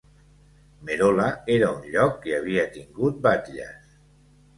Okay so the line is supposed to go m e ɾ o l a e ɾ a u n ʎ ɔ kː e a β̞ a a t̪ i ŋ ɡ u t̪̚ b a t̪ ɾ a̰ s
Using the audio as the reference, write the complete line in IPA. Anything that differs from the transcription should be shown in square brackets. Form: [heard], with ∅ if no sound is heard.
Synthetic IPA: m e ɾ o l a e ɾ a u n ʎ ɔ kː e a β̞ [i] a t̪ i ŋ ɡ u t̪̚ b a t̪ [ʎ] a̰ s